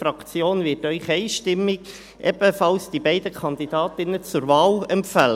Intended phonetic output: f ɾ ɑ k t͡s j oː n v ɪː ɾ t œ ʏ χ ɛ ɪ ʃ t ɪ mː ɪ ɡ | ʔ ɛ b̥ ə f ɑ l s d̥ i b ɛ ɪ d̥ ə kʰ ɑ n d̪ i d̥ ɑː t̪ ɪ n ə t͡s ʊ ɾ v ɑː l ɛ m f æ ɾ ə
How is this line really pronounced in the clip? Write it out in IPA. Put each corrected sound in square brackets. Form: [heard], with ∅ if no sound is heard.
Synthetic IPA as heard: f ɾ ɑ k t͡s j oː n v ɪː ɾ t œ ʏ χ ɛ ɪ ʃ t ɪ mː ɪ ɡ | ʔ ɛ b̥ ə f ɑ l s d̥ i b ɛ ɪ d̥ ə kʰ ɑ n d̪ i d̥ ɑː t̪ ɪ n ə t͡s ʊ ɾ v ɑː l ɛ m f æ [l] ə